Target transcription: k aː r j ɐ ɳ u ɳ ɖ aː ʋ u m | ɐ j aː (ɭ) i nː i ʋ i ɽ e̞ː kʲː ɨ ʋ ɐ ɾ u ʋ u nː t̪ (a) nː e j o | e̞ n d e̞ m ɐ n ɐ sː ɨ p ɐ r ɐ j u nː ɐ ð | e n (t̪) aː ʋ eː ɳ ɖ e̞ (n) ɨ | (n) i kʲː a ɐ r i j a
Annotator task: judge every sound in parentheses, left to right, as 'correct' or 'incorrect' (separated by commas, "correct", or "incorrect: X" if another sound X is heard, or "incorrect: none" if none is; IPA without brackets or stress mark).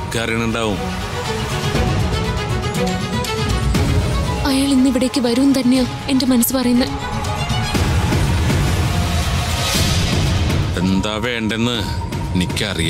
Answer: correct, incorrect: ɐ, incorrect: d̪, incorrect: nː, correct